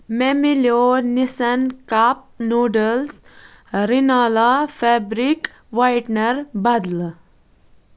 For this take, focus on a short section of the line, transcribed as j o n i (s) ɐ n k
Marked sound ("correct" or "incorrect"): correct